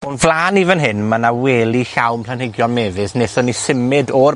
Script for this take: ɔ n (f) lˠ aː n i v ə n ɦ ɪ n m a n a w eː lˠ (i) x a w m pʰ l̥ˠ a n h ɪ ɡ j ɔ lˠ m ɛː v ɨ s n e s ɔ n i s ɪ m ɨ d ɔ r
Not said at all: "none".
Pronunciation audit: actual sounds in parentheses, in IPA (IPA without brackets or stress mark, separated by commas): v, i